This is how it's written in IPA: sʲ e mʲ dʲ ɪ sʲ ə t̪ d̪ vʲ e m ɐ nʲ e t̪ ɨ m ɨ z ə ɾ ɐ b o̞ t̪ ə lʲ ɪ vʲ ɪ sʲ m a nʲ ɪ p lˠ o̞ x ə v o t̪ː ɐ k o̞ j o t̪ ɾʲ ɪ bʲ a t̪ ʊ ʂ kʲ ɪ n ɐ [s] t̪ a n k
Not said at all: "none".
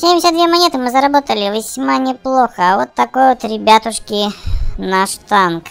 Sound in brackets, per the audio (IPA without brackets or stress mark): ʂ